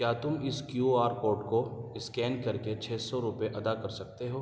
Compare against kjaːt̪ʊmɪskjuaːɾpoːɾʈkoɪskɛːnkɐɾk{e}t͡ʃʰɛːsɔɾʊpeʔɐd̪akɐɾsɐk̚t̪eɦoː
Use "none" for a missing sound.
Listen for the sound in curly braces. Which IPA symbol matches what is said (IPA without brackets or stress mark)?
e